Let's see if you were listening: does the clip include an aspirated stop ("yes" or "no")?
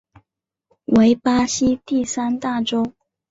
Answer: no